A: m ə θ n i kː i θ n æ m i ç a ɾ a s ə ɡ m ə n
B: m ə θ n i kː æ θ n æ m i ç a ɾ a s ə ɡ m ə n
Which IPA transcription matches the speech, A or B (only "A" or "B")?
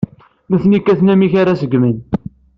B